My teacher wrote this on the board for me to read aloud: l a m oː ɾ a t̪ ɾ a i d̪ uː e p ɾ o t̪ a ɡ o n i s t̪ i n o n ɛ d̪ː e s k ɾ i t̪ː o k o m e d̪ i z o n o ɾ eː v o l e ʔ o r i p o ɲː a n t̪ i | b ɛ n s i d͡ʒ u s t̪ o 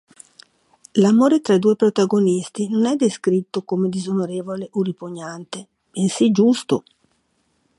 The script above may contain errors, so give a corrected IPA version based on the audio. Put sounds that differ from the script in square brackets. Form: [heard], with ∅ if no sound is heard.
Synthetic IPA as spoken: l a m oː ɾ [e] t̪ ɾ a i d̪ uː e p ɾ o t̪ a ɡ o n i s t̪ i n o n ɛ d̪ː e s k ɾ i t̪ː o k o m e d̪ i z o n o ɾ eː v o l e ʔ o r i p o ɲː a n t̪ [e] | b [e] n s i d͡ʒ u s t̪ o